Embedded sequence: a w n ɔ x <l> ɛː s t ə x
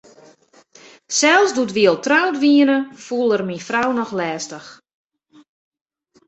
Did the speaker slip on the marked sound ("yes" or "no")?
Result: no